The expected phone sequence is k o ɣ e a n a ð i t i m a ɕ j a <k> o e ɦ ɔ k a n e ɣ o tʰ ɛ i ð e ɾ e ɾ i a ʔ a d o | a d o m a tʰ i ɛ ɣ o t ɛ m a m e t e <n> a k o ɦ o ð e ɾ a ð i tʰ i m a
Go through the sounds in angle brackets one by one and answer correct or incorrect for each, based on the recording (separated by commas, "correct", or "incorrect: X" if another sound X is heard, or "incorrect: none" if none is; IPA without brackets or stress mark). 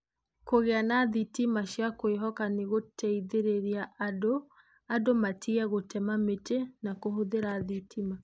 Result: correct, correct